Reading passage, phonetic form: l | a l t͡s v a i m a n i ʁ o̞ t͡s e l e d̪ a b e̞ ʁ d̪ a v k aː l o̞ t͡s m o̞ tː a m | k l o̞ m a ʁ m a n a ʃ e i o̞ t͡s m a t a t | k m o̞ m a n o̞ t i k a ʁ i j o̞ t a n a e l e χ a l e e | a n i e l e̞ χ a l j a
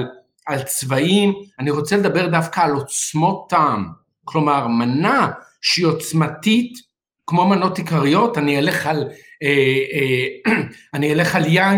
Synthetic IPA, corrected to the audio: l | a l t͡s v a i m a n i ʁ o̞ t͡s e l e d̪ a b e̞ ʁ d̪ a f k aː l o̞ t͡s m o̞ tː a m | k l o̞ m a ʁ m a n a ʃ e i o̞ t͡s m a t i t | k m o̞ m a n o̞ t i k a ʁ i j o̞ t a n i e l e χ a l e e | a n i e l e̞ χ a l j a